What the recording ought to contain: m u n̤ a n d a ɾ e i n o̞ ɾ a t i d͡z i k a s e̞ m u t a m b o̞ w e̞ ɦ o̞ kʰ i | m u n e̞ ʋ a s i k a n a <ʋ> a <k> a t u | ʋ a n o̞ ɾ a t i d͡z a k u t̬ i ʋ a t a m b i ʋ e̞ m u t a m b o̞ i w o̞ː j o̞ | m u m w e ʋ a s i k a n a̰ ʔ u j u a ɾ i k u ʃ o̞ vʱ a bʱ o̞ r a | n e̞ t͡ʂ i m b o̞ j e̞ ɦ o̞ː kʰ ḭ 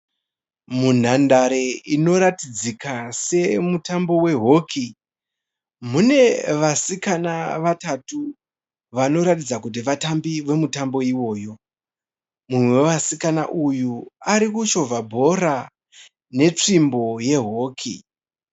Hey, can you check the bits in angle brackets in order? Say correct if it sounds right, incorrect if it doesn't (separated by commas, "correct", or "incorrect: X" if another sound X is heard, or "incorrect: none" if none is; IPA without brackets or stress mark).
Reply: correct, incorrect: t